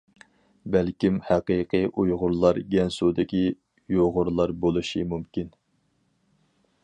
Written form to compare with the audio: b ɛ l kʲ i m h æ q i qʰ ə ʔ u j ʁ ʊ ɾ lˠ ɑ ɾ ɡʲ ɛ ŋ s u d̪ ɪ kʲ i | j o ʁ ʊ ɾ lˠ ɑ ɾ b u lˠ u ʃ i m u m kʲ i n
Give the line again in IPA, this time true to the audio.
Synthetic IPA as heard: b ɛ l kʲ i m h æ q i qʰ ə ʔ u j ʁ ʊ ɾ lˠ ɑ ɾ ɡʲ ɛ n s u d̪ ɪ kʲ i | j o ʁ ʊ ɾ lˠ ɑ ɾ b o lˠ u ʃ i m u m kʲ i n